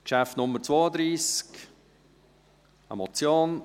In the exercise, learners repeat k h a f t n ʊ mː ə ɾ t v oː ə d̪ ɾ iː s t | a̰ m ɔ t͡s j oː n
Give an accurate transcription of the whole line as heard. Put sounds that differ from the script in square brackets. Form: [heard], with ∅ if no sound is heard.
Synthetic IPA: k [ʃ] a f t n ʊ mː ə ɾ [t͡s] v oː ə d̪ ɾ iː s [k] | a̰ m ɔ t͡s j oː n